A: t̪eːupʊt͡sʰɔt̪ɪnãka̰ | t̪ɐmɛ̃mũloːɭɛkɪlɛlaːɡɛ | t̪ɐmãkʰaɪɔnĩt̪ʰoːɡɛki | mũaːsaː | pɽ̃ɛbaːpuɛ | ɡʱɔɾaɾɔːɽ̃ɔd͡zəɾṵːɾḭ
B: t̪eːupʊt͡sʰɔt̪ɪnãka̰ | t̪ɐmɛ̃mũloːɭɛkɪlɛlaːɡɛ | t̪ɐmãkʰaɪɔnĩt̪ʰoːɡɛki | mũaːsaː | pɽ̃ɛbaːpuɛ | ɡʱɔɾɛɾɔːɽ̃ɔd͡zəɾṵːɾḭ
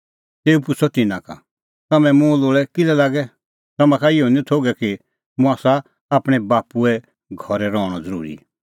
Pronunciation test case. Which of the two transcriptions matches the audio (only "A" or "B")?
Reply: B